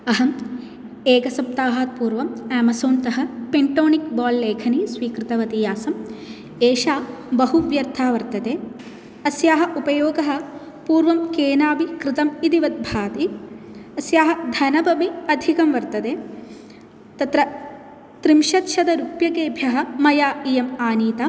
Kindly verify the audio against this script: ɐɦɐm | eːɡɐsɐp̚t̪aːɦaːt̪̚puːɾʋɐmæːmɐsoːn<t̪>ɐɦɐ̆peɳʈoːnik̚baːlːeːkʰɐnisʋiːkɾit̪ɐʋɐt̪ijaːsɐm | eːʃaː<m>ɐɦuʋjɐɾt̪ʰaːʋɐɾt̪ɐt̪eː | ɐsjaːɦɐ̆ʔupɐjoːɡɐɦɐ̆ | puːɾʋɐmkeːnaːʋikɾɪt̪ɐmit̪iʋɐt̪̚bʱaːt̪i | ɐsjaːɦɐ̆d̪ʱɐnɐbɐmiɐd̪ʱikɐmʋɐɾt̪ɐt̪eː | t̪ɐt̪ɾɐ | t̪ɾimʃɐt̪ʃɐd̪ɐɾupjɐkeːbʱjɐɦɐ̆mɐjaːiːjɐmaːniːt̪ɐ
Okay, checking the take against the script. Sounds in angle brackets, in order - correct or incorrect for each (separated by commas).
correct, incorrect